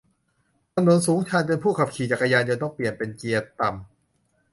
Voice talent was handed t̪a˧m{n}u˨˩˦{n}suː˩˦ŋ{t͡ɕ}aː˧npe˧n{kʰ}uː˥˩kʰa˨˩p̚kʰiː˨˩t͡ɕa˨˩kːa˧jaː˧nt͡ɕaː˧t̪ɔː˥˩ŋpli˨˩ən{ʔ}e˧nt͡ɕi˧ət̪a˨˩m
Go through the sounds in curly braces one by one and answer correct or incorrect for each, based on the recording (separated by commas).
correct, correct, incorrect, incorrect, incorrect